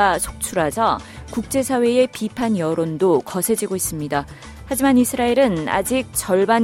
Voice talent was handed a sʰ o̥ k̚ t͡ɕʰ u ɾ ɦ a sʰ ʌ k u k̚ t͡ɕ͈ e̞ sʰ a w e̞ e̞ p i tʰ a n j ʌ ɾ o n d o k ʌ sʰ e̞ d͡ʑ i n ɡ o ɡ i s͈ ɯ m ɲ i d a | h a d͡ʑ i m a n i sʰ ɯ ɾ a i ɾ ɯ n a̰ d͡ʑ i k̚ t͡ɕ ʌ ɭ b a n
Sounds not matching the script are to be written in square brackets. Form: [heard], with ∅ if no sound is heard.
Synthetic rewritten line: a sʰ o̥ k̚ t͡ɕʰ u ɾ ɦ a sʰ ʌ k u k̚ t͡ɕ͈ e̞ sʰ a w e̞ e̞ p i [pʰ] a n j ʌ ɾ o n d o k ʌ sʰ e̞ d͡ʑ i [∅] ɡ o [∅] i s͈ ɯ m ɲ i d a | h a d͡ʑ i m a n i sʰ ɯ ɾ a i ɾ ɯ n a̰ d͡ʑ i k̚ t͡ɕ ʌ ɭ b a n